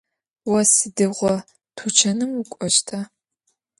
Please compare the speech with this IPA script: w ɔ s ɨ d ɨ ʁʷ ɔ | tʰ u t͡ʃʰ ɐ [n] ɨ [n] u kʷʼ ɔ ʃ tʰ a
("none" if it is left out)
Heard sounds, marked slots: n, m

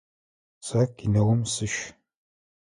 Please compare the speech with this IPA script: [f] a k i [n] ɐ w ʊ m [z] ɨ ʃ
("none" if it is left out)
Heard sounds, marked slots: s, n, s

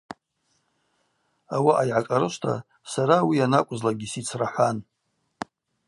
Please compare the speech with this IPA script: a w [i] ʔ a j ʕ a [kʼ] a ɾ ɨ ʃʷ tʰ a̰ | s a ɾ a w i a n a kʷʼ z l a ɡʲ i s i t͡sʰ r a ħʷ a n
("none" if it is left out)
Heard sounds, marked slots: a, kʼ

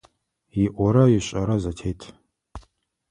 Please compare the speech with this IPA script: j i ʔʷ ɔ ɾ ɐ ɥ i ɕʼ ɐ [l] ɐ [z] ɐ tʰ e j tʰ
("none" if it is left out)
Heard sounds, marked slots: ɾ, z

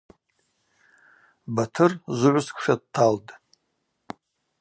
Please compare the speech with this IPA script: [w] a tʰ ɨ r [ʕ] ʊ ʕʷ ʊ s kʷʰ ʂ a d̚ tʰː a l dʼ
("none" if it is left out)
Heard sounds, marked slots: b, z

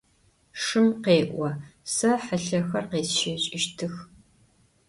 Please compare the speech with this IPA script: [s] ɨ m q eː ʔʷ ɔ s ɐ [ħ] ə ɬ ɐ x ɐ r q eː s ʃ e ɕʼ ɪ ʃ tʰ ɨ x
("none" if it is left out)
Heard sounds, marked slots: ʂ, ħ

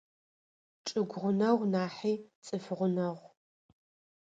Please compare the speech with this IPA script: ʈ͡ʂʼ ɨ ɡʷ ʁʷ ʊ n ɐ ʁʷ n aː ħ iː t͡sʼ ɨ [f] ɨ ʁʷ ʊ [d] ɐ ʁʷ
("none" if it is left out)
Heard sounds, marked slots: f, n

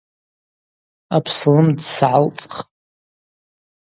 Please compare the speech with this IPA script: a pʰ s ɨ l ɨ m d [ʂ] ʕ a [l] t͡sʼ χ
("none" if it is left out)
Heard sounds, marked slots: s, l

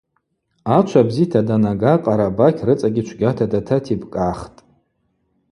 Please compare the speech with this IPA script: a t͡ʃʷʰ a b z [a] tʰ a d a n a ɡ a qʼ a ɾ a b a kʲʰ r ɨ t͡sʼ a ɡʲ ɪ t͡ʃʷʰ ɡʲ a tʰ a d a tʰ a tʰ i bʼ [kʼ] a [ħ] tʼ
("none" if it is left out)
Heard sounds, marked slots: i, kʼ, χ

